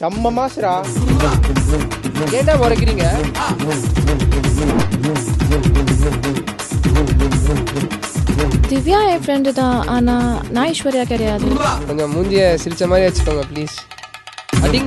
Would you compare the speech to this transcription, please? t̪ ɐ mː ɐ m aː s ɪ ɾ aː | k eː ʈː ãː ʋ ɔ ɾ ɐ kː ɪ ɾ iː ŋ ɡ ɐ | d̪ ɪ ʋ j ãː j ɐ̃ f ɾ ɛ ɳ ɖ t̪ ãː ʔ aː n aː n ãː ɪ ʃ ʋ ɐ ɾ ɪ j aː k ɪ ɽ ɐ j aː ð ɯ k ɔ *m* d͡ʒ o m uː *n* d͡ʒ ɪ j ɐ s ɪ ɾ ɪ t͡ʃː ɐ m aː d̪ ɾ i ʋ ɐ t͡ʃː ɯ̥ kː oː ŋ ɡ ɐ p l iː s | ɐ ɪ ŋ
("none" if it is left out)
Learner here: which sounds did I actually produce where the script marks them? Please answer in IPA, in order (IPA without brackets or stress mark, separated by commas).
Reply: ɲ, ɲ